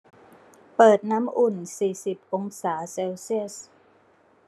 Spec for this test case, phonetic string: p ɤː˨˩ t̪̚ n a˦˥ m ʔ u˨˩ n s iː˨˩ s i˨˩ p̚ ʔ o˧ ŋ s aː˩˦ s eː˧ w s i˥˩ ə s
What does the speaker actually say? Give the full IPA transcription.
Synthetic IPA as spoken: p ɤː˨˩ t̪̚ n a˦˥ m ʔ u˨˩ n s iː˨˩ s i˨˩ p̚ ʔ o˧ ŋ s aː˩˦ s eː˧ w s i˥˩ ə s